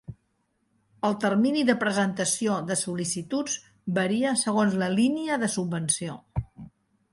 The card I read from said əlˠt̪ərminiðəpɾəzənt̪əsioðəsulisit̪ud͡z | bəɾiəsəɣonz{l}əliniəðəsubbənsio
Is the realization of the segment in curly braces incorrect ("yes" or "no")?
no